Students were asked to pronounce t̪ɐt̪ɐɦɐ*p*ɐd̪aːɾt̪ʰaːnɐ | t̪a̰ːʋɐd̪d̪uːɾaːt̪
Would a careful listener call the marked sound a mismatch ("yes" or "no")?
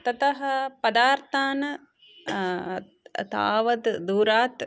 no